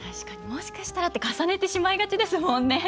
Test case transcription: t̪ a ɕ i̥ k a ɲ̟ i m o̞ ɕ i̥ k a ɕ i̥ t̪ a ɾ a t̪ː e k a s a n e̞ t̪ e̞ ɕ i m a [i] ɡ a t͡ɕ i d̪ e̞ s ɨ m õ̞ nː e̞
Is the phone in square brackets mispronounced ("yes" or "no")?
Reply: no